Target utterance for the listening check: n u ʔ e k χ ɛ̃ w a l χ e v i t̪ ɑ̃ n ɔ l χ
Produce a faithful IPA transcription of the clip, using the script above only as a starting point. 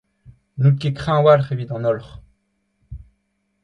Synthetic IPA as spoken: n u k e k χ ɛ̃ w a l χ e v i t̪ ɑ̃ n ɔ l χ

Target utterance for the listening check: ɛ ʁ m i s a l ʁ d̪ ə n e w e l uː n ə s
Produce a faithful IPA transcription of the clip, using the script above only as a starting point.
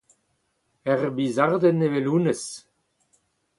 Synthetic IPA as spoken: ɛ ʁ b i z a ʁ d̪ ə n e v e l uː n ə s

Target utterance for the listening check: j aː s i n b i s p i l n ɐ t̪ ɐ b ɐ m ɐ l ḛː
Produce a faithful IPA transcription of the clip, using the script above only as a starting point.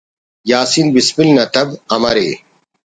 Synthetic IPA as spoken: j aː s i n b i s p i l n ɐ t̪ ɐ b ɐ m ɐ ɾ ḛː

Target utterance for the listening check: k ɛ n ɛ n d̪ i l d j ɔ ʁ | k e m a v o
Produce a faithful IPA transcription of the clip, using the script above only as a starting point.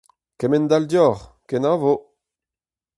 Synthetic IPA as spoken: k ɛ m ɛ n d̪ a l d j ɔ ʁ | k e n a v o

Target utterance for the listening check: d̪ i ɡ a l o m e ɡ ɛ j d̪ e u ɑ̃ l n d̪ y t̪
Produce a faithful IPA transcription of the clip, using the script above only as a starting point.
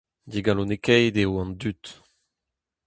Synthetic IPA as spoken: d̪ i ɡ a l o n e k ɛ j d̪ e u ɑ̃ n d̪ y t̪

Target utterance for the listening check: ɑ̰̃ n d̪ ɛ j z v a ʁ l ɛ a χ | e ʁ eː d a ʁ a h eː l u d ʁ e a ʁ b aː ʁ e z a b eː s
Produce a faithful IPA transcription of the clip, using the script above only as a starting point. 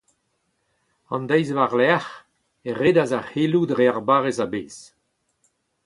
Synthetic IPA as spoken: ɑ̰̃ n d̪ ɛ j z v a ʁ l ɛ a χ | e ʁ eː d a z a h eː l u d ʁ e a ʁ b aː ʁ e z a b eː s

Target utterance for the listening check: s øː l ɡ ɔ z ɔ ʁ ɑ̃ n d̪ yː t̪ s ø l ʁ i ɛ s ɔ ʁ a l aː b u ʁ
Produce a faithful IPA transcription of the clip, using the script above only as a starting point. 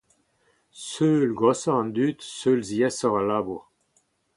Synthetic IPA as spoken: s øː l ɡ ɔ s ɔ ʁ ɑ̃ n d̪ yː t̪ s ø l z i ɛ s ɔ ʁ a l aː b u ʁ

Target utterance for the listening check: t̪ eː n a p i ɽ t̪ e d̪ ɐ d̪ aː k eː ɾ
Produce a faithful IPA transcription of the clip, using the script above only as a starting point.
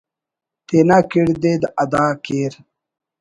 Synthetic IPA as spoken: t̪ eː n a k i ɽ d̪ e d̪ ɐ d̪ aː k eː ɾ

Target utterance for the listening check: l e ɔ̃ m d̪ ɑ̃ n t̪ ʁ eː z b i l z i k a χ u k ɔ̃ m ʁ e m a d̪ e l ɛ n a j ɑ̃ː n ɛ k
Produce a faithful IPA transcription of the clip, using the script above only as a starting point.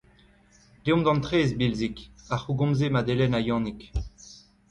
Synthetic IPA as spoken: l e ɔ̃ m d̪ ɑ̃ n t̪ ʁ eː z b i l z i k a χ u ɡ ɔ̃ m z e m a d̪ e l ɛ n a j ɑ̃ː n i k

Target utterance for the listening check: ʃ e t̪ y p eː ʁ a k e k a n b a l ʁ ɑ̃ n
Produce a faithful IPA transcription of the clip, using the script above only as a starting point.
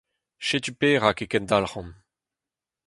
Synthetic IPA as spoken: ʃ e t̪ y p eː ʁ a k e k ɛ n d a l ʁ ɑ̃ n

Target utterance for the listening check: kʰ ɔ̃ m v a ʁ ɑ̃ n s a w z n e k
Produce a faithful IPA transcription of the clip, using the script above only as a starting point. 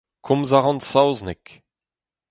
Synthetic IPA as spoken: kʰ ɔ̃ m z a ʁ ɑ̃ n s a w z n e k

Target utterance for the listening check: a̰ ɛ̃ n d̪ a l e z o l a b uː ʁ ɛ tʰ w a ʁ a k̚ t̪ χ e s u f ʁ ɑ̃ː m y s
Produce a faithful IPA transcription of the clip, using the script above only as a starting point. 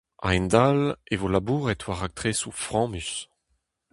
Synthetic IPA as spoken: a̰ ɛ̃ n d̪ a l e v o l a b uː ʁ ɛ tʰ w a ʁ a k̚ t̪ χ e s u f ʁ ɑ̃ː m y s

